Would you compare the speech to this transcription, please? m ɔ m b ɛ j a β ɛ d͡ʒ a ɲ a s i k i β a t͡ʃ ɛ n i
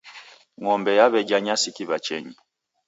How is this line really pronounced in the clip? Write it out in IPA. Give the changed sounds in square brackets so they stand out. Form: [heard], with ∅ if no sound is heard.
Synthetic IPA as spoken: [ŋ] ɔ m b ɛ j a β ɛ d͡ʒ a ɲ a s i k i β a t͡ʃ ɛ [ɲ] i